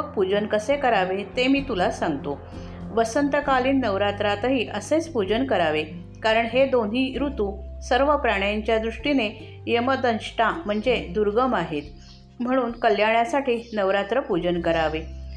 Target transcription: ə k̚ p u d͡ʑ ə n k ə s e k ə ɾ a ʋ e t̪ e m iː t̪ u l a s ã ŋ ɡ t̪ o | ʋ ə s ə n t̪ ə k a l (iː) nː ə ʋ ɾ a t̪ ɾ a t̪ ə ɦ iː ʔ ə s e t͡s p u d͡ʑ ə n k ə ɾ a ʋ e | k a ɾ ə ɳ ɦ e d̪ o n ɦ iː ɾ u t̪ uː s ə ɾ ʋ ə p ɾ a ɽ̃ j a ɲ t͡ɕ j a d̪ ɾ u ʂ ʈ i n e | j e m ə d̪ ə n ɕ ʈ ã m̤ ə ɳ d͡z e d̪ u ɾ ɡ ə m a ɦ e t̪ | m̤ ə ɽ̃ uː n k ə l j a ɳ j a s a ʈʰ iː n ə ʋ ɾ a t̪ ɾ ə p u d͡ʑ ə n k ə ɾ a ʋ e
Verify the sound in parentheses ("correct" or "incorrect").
correct